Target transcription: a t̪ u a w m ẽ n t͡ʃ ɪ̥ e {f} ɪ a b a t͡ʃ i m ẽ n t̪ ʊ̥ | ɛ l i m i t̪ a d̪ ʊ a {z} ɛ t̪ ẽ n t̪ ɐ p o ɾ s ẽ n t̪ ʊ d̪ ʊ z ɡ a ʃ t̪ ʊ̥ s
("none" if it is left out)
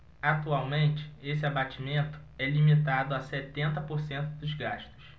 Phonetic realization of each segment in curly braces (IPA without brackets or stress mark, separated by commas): s, s